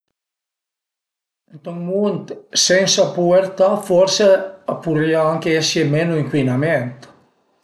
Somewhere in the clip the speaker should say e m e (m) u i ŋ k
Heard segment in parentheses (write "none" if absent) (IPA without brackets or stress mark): n